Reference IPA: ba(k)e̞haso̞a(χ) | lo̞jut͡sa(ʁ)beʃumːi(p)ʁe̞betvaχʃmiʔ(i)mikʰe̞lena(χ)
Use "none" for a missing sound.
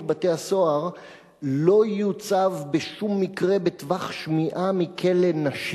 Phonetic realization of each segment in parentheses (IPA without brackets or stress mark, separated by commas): t, ʁ, v, k, a, ʃ